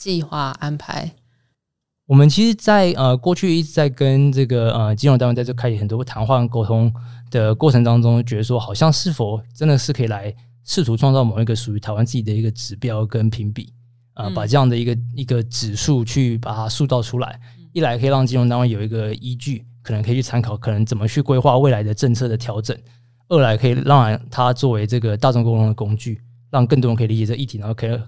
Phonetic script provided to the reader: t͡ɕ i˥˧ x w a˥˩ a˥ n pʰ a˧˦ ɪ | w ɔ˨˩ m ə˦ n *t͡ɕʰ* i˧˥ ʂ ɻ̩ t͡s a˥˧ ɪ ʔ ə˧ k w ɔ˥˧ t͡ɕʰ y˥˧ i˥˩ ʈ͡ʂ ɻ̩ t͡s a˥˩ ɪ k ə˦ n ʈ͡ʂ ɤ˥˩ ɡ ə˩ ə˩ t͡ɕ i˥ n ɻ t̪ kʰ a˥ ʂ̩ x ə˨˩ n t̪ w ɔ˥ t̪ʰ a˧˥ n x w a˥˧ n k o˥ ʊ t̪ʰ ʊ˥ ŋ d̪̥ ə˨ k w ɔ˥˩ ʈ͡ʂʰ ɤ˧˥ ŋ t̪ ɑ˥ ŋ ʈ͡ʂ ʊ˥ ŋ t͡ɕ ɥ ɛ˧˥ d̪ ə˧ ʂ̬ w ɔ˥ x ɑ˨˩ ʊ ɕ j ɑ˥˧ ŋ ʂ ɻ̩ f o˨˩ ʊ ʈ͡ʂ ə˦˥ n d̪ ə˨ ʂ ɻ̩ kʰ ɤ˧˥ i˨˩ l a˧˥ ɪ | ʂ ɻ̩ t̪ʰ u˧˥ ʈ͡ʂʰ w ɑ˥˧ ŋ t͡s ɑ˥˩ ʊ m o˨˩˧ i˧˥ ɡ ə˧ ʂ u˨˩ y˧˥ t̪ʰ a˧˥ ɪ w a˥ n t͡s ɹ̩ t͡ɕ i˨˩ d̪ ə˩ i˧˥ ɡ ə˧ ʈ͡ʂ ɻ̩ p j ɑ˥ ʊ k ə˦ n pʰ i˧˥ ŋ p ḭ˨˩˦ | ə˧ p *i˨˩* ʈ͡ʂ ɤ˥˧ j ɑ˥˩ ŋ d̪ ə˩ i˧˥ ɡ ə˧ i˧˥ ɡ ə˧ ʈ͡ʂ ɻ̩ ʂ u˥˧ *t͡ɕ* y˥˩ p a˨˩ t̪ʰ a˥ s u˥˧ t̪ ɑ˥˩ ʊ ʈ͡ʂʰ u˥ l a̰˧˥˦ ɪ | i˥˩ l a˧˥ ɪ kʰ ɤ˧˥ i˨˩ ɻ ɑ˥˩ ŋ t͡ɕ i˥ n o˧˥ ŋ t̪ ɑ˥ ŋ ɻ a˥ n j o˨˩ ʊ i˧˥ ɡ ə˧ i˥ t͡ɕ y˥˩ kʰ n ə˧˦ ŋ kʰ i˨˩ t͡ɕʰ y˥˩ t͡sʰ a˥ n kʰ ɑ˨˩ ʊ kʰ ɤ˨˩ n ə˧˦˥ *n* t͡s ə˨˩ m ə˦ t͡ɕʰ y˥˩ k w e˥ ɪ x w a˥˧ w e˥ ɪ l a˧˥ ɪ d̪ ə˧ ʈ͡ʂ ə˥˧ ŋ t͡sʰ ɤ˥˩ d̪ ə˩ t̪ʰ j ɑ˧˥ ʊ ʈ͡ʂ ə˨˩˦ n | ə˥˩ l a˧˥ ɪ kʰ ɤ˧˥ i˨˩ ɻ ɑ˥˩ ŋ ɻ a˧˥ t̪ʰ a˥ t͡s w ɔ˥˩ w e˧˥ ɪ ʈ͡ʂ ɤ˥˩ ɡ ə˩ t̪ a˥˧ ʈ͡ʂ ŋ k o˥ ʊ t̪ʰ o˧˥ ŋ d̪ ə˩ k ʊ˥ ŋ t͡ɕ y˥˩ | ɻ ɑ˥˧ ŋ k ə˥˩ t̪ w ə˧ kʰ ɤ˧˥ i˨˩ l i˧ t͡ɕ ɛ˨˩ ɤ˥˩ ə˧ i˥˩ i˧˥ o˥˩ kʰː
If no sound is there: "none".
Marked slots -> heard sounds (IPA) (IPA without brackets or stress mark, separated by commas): t͡ɕʰ, a˨˩, t͡ɕʰ, ŋ